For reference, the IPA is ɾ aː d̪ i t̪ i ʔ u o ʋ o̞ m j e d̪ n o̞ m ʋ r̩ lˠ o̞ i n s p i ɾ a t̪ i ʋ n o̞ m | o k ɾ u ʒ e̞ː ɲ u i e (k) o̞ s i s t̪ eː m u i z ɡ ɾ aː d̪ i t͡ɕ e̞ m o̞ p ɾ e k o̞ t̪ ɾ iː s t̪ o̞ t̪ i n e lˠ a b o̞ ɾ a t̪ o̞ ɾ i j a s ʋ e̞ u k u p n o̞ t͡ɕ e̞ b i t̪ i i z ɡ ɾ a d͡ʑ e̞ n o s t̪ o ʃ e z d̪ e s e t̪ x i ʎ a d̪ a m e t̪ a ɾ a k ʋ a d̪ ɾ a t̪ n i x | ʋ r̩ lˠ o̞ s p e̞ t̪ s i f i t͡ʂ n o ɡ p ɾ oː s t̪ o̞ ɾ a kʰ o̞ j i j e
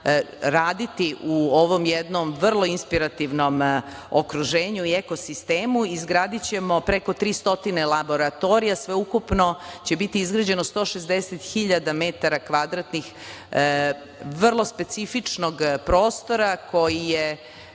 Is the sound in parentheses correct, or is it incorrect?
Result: correct